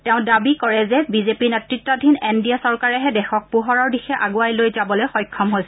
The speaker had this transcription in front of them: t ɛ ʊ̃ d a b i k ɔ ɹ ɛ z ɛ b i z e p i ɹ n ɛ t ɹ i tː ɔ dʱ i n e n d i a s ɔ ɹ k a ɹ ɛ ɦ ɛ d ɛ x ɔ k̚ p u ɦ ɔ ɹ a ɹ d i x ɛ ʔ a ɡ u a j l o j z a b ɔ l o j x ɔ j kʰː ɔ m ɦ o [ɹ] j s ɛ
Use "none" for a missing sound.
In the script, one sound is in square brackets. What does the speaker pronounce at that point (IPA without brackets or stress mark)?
none